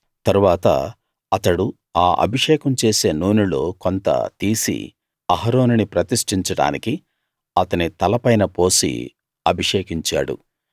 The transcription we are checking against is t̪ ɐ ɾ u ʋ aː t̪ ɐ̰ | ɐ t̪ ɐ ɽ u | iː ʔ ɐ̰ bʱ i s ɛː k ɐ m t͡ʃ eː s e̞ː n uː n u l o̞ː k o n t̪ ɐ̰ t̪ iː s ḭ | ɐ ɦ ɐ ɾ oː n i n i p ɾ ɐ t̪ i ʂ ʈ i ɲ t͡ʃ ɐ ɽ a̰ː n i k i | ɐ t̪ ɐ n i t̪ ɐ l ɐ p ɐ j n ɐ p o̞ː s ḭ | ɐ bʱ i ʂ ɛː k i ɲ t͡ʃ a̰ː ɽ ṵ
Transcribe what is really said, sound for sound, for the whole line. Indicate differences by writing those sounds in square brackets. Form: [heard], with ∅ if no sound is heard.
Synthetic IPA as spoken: t̪ ɐ ɾ u ʋ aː t̪ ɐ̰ | ɐ t̪ ɐ ɽ u | [aː] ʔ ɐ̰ bʱ i [ʂ] ɛː k ɐ m t͡ʃ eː s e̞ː n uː n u l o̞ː k o n t̪ ɐ̰ t̪ iː s ḭ | ɐ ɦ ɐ ɾ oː n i n i p ɾ ɐ t̪ i ʂ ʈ i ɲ t͡ʃ ɐ ɽ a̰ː n i k i | ɐ t̪ ɐ n i t̪ ɐ l ɐ p ɐ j n ɐ p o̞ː s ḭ | ɐ bʱ i ʂ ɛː k i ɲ t͡ʃ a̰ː ɽ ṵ